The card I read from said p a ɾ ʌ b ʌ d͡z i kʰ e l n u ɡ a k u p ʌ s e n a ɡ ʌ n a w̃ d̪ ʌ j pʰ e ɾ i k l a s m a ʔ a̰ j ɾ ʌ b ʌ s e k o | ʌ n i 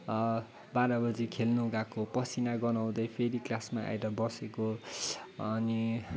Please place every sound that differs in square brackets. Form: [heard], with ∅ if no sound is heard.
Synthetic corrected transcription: [b] a ɾ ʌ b ʌ d͡z i kʰ e l n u ɡ a k [o] p ʌ s [i] n a ɡ ʌ n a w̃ d̪ ʌ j pʰ e ɾ i k l a s m a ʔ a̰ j ɾ ʌ b ʌ s e k o | ʌ n i